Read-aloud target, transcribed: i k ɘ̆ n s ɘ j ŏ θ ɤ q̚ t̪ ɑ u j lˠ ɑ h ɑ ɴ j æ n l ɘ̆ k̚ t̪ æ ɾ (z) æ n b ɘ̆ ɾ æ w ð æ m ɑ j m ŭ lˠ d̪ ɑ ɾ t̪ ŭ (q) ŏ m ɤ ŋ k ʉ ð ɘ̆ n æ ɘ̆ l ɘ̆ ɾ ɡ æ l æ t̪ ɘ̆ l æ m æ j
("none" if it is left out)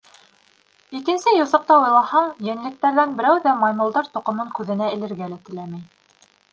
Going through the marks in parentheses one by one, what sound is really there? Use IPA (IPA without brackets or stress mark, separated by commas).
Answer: ð, q